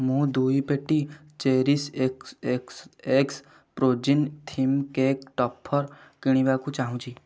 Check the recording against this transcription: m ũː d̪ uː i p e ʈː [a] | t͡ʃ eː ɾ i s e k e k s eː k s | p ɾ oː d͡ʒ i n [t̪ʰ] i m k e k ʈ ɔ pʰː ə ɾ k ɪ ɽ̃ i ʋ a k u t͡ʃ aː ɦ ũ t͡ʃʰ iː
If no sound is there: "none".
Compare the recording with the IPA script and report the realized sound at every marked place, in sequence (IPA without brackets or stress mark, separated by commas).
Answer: i, t̪ʰ